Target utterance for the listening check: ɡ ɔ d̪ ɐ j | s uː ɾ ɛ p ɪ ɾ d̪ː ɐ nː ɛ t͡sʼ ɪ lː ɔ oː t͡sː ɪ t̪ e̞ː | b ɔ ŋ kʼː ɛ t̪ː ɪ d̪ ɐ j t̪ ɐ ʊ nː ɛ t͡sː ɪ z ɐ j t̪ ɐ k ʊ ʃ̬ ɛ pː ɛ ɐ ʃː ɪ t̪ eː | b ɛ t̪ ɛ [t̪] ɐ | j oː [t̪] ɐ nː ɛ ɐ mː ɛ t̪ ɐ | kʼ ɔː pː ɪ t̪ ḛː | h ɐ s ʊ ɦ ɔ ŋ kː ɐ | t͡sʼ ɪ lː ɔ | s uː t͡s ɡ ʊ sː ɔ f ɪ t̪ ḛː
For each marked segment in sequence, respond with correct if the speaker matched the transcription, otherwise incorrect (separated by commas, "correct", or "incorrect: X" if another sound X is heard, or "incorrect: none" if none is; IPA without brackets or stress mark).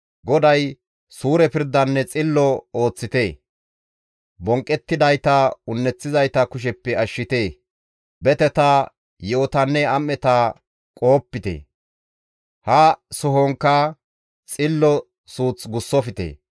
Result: correct, correct